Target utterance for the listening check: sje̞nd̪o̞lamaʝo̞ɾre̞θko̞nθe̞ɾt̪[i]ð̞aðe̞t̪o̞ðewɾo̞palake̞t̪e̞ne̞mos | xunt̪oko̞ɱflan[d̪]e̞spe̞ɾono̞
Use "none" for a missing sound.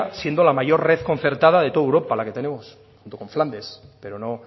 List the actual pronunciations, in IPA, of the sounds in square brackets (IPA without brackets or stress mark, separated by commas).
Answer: a, d̪